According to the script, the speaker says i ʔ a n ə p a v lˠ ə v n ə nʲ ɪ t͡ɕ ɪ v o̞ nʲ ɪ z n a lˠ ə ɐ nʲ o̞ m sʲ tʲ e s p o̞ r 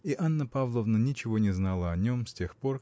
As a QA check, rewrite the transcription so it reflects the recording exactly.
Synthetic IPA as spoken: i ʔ a nː ə p a v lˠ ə v n ə nʲ ɪ t͡ɕ ɪ v o̞ nʲ ɪ z n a lˠ ə ɐ nʲ o̞ m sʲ tʲ e x p o̞ r